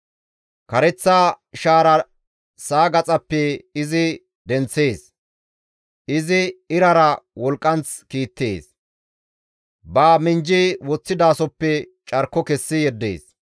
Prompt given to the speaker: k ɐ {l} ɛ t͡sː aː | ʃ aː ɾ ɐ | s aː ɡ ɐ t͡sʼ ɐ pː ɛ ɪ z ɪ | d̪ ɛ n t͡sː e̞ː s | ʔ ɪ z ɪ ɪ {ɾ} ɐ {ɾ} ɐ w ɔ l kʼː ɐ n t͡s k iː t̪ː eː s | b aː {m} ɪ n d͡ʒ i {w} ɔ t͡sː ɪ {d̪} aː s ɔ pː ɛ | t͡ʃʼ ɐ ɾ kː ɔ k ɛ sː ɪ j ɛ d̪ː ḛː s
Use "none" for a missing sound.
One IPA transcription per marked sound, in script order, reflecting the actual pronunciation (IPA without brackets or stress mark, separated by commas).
ɾ, ɾ, ɾ, m, w, d̪